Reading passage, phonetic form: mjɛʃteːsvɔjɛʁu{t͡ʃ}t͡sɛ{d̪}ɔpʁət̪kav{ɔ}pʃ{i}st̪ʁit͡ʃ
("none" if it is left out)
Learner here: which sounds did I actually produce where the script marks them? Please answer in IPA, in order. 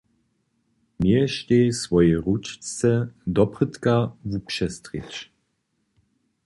t͡ʃ, d̪, u, ɛ

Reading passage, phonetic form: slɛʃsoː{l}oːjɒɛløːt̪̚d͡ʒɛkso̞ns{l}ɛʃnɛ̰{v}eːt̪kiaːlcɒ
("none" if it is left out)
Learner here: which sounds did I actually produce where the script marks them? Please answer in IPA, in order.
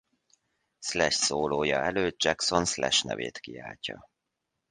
l, l, v

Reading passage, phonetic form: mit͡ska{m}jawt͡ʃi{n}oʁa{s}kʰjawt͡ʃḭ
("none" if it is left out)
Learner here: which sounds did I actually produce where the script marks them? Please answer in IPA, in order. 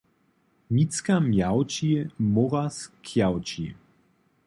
m, m, s

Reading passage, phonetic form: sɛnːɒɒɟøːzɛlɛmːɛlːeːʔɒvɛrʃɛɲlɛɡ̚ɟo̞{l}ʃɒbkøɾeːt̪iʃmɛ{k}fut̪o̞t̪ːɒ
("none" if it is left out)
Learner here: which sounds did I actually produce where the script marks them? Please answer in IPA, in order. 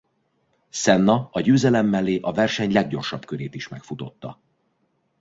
r, k

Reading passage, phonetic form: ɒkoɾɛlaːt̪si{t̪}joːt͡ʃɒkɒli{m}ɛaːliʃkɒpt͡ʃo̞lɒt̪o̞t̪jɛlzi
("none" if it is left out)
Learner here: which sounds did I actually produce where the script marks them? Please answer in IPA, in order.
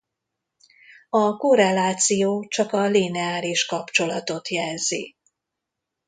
none, n

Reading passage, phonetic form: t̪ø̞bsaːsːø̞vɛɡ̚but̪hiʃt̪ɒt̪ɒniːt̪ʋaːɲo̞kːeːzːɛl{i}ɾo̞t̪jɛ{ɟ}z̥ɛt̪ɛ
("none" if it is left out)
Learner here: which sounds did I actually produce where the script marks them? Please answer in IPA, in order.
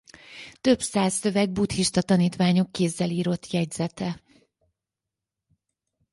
iː, ɟ

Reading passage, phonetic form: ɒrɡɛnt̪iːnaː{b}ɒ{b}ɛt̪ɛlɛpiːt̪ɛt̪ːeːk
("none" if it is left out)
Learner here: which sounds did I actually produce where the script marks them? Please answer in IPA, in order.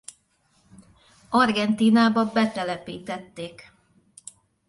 b, b

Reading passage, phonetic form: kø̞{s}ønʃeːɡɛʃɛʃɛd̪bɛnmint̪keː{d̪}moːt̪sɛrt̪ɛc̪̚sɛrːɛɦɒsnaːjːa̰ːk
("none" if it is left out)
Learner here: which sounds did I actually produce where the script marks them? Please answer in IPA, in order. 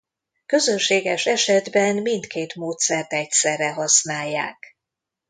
z, t̪

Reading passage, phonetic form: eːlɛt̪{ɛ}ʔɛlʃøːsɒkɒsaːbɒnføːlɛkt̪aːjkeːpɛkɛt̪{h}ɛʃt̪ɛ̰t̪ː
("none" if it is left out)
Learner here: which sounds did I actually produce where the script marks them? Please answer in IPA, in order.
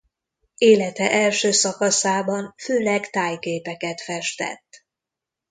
ɛ, f

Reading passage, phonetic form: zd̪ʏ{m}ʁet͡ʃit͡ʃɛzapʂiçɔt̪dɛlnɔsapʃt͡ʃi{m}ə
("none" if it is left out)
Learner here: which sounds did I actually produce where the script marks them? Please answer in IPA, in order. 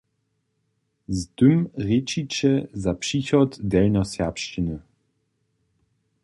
m, n

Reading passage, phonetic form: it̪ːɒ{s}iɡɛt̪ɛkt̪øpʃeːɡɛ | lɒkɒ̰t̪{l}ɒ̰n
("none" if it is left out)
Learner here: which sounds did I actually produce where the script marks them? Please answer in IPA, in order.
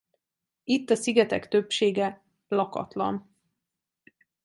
s, l

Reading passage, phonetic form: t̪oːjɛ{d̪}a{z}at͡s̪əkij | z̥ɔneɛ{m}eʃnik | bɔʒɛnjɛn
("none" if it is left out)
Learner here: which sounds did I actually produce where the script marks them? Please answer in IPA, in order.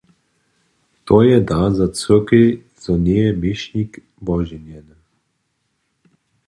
d̪, z, m

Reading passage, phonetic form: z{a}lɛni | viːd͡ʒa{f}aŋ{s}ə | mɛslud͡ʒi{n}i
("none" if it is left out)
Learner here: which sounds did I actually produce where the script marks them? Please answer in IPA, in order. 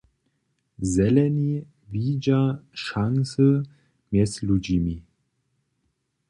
ɛ, ʃ, s, m

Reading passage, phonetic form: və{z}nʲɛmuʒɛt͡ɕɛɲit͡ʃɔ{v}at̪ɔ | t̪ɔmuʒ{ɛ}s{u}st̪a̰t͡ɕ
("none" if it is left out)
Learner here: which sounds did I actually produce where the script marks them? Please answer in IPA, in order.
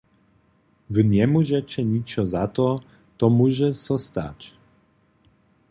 none, z, ɛ, ɔ

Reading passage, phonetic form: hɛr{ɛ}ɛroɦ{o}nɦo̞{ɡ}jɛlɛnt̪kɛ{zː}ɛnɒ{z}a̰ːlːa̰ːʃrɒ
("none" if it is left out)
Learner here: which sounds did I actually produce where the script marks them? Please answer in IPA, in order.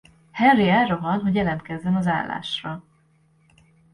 i, ɒ, ɟ, zː, z

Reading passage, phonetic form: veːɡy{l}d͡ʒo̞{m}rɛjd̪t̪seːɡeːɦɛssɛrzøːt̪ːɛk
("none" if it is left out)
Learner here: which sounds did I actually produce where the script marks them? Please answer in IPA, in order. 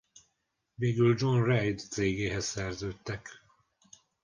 l, n

